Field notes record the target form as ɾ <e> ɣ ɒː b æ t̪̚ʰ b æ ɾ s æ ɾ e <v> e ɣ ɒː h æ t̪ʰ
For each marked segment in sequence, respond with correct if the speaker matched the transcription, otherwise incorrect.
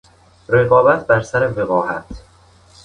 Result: correct, correct

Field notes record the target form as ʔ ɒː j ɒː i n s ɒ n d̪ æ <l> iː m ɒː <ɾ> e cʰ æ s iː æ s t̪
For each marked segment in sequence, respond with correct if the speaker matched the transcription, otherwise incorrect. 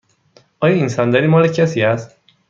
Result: incorrect: ɾ, incorrect: l

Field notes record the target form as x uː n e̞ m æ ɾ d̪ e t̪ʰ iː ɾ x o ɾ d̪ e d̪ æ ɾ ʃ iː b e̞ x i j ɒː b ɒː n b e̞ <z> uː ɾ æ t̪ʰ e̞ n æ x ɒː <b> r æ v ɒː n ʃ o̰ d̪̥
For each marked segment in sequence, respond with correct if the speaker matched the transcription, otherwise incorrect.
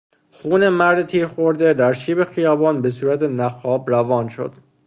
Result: incorrect: s, correct

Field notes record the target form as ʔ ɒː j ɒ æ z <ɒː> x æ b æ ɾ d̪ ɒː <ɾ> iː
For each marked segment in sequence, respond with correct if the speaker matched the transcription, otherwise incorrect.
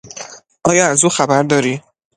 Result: incorrect: uː, correct

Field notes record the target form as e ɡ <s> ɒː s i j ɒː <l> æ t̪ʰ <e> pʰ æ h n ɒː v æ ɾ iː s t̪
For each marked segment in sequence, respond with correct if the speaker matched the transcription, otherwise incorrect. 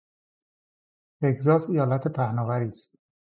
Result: incorrect: z, correct, correct

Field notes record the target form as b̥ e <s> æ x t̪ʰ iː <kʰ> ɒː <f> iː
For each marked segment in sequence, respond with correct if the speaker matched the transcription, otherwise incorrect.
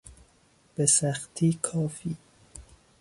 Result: correct, correct, correct

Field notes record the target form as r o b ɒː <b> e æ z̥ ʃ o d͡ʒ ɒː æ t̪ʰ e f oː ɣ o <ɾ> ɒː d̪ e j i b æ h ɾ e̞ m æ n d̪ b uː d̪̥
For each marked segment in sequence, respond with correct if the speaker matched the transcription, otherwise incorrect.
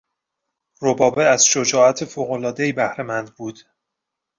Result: correct, incorrect: l

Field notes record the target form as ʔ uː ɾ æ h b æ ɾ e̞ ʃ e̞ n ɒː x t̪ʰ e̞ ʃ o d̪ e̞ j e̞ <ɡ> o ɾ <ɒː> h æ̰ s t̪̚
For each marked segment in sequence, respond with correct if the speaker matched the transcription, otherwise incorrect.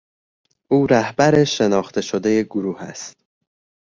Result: correct, incorrect: uː

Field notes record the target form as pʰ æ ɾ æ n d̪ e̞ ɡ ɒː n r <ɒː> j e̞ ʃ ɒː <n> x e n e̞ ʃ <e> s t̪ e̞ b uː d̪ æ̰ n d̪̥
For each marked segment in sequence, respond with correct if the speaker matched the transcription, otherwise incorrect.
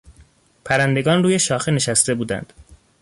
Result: incorrect: uː, incorrect: none, incorrect: æ

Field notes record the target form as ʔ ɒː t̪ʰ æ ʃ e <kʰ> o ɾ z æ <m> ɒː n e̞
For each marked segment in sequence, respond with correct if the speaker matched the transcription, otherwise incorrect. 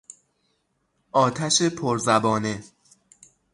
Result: incorrect: pʰ, incorrect: b

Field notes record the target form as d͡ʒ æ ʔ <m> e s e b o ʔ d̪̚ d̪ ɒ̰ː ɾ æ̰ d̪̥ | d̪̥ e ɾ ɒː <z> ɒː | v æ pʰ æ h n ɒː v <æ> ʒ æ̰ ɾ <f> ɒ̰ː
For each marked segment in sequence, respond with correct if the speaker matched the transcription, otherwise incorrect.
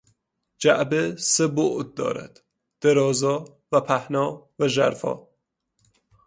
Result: incorrect: b, correct, correct, correct

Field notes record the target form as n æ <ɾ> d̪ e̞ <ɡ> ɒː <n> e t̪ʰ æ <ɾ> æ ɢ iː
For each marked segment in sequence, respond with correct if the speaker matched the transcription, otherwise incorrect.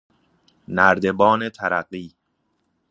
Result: correct, incorrect: b, correct, correct

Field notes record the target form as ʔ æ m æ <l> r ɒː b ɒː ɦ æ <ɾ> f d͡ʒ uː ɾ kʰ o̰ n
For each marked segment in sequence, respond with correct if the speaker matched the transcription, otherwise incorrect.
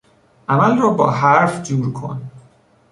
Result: correct, correct

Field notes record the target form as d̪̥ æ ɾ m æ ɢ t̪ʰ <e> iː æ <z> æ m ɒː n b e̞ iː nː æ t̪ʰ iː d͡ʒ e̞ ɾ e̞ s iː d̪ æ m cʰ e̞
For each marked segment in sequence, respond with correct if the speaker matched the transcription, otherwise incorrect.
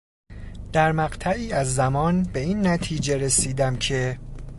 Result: incorrect: æ, incorrect: zː

